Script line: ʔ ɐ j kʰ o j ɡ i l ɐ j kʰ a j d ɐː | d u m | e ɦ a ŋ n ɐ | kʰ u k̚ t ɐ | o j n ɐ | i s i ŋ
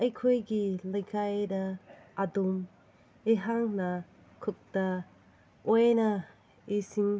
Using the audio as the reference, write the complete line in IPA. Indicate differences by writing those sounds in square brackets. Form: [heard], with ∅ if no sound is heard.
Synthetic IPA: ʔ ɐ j kʰ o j ɡ i l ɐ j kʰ a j d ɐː | d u m | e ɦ a ŋ n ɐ | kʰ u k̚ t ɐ | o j n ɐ | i s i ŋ